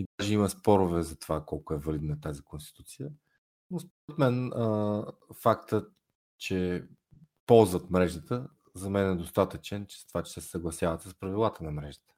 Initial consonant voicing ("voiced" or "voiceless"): voiced